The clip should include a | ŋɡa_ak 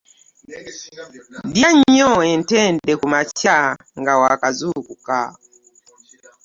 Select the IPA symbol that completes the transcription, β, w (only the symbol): w